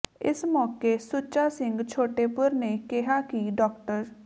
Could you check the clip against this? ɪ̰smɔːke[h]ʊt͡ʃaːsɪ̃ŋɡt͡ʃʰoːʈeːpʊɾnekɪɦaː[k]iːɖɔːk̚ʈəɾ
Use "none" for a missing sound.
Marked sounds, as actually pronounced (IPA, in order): s, k

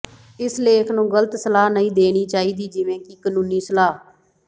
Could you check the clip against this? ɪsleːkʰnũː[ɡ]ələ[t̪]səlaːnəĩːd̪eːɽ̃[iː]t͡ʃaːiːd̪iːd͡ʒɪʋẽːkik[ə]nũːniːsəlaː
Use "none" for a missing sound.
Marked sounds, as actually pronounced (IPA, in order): ɡ, t̪, iː, ə

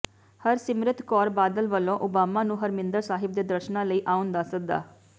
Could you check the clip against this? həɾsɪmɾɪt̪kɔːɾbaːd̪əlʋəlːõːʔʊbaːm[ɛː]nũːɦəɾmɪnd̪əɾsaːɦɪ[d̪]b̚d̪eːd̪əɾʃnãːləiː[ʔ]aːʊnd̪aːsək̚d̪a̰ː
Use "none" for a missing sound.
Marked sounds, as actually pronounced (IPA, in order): aː, none, ʔ

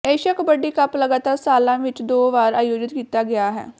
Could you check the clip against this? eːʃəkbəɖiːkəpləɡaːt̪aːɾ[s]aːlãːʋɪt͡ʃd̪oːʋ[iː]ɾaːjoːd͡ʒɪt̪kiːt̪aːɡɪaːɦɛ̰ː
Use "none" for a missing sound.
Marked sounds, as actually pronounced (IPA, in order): s, aː

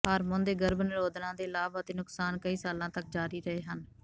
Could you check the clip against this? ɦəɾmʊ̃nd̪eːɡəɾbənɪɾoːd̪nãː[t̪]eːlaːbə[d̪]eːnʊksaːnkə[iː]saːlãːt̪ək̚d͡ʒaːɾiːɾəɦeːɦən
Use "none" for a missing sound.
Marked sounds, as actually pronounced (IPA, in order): d̪, t̪, iː

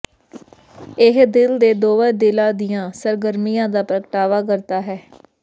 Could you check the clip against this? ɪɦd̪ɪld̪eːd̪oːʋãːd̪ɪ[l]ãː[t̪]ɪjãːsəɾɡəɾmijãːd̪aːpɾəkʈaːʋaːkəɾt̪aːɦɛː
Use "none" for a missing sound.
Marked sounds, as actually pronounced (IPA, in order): l, d̪

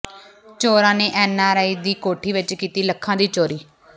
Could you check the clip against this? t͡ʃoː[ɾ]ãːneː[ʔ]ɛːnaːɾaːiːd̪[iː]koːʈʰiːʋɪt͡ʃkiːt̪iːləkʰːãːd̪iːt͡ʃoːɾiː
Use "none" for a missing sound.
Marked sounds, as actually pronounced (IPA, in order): ɾ, ʔ, iː

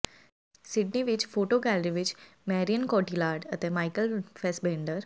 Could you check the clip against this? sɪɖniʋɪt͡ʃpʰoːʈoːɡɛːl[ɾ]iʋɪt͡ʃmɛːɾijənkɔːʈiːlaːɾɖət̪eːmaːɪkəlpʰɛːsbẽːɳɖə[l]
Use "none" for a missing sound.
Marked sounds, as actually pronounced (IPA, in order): ɾ, ɾ

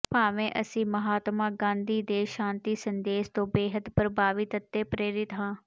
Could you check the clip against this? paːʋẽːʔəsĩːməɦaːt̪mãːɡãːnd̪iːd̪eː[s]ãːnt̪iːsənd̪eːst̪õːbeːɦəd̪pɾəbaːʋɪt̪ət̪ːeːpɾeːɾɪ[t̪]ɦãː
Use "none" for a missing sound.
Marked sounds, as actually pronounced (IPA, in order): ʃ, t̪

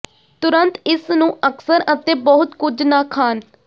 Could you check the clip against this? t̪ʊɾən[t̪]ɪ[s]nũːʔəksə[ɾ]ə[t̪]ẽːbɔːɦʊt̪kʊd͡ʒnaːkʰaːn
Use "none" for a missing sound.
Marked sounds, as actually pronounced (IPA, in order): t̪, s, ɾ, t̪

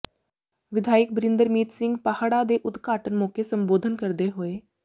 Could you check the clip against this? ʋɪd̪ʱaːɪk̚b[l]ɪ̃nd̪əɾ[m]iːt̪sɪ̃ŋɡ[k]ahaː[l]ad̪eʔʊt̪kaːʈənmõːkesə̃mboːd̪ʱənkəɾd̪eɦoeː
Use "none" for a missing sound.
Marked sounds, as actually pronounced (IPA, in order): ɾ, m, p, ɽ

